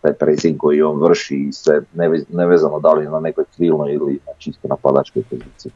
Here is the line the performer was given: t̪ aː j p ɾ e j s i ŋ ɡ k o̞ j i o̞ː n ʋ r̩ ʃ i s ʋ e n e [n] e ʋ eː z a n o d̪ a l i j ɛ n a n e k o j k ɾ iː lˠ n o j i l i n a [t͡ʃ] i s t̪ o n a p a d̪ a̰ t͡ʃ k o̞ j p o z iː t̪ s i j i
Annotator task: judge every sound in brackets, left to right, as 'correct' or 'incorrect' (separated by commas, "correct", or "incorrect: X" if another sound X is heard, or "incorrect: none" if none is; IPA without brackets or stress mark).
correct, correct